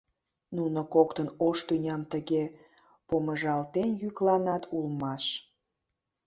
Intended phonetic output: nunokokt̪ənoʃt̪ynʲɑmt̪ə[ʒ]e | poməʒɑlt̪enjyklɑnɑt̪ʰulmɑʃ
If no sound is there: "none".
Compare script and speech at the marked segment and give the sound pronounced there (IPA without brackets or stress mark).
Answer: ɣ